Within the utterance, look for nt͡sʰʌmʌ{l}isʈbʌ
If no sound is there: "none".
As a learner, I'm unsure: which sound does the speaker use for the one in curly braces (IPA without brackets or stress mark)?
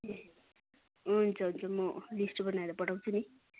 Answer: l